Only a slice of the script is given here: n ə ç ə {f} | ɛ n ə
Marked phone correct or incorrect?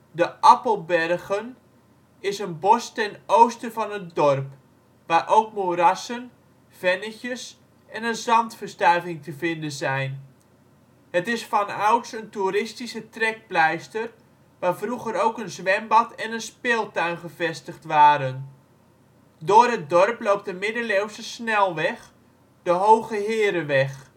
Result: incorrect